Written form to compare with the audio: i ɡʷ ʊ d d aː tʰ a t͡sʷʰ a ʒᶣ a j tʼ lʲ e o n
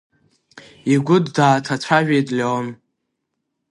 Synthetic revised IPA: i ɡʷ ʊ d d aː tʰ a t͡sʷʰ a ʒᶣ e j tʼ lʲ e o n